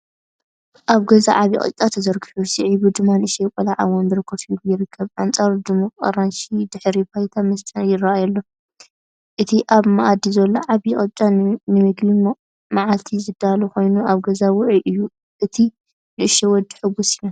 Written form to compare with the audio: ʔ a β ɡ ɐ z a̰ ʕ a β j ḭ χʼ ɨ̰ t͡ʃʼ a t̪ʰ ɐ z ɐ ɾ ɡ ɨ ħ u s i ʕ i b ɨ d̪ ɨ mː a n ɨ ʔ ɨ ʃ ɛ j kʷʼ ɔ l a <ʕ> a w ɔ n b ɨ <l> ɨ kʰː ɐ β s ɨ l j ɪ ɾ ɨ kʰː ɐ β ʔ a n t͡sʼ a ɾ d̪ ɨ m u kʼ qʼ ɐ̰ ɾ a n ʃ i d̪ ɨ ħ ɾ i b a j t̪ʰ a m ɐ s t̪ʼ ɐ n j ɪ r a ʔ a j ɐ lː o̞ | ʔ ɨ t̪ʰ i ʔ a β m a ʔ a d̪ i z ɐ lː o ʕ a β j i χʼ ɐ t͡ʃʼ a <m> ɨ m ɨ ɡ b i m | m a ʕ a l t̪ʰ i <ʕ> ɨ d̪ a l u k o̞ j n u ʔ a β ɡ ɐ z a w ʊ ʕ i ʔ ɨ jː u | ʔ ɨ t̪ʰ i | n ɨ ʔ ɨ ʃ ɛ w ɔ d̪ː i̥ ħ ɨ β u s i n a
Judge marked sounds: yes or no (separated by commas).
yes, no, no, no